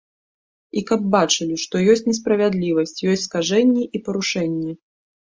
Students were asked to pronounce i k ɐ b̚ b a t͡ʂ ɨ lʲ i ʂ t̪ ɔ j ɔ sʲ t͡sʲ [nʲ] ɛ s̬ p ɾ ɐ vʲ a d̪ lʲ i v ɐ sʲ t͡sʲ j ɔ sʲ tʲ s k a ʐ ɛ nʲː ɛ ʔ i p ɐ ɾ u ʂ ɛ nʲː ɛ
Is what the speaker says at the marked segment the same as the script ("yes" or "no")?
yes